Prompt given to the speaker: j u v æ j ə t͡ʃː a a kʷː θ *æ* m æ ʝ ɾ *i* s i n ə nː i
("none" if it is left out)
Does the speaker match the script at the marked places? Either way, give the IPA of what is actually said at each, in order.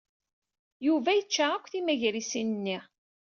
i, i

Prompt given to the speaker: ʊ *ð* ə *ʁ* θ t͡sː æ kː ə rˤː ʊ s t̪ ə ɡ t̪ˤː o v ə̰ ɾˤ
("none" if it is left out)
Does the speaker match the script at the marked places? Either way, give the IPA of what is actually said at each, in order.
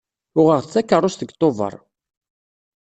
ʁ, ʁ

